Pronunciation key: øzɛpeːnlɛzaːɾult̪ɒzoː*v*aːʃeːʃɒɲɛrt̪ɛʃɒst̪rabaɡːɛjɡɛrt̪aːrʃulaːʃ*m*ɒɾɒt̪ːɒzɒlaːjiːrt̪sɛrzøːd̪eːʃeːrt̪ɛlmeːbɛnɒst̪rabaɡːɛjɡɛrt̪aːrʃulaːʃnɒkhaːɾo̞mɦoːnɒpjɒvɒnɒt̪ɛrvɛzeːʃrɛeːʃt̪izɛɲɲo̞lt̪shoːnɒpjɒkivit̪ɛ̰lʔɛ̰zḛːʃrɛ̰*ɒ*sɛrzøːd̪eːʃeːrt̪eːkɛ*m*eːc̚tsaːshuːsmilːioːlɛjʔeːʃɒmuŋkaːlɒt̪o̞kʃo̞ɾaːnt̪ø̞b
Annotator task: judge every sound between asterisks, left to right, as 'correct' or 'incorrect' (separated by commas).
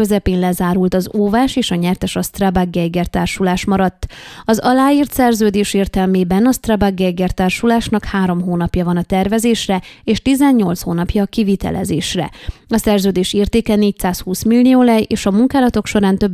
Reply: correct, correct, correct, incorrect